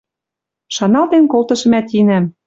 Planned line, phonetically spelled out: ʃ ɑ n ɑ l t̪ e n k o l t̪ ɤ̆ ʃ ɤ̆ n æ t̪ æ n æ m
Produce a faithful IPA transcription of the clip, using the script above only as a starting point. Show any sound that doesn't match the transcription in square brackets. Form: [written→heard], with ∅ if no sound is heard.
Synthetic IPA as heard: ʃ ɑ n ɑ l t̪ e n k o l t̪ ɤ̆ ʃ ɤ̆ [n→m] æ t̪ [æ→i] n æ m